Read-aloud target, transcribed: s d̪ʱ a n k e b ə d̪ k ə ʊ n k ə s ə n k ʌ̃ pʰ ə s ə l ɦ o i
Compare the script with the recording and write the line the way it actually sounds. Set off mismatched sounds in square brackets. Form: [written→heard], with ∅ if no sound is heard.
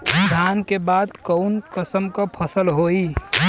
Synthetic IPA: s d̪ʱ a n k e b [ə→a] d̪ k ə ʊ n k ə s ə [n→m] k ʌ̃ pʰ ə s ə l ɦ o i